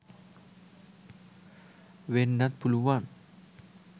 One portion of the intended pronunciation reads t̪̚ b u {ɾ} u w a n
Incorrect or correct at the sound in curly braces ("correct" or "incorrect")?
incorrect